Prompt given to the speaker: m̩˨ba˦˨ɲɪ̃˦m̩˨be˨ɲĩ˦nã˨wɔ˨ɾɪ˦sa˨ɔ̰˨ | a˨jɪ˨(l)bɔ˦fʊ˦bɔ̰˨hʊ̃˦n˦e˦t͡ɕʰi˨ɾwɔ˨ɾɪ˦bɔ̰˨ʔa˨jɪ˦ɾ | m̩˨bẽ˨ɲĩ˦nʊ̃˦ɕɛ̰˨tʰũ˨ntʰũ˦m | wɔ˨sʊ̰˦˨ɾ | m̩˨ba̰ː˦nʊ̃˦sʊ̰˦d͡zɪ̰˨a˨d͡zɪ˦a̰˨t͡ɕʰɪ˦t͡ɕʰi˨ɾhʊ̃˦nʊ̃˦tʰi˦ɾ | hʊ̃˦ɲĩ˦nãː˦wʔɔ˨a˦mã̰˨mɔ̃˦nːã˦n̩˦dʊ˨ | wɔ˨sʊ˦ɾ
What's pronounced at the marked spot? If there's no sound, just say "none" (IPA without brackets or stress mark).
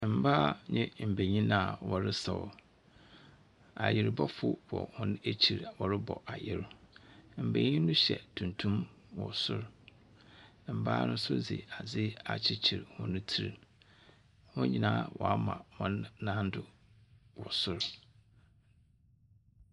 ɾ